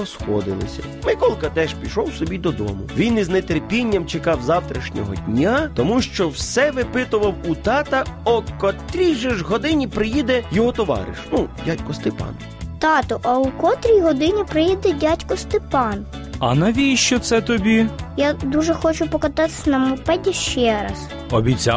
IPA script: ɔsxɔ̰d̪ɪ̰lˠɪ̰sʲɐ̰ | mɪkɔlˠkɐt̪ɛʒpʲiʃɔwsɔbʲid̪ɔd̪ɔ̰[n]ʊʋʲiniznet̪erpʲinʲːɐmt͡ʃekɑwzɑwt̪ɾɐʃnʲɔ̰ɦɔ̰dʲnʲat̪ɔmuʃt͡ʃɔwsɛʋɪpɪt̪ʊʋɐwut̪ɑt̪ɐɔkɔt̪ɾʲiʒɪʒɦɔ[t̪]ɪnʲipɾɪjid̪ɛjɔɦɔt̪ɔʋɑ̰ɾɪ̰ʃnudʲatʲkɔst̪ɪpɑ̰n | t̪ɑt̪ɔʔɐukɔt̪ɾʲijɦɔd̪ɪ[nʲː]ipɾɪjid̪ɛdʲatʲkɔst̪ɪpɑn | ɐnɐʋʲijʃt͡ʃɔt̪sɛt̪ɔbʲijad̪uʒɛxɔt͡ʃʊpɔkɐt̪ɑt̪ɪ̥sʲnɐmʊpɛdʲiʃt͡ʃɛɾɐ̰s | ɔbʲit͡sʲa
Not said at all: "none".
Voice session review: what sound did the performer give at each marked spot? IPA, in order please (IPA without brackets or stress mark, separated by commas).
m, d̪, nʲ